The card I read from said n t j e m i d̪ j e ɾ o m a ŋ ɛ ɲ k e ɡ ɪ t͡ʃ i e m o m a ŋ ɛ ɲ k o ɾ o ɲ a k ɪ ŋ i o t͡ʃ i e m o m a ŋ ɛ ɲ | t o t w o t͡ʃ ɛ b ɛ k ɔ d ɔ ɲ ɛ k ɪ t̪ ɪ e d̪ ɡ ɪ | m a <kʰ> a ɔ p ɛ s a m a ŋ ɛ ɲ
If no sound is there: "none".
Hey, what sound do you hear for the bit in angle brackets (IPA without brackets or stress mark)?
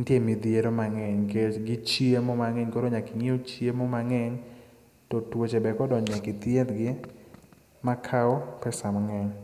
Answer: kʰ